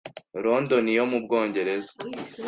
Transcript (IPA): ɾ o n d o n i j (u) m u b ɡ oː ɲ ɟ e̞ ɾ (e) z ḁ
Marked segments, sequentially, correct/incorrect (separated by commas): incorrect, correct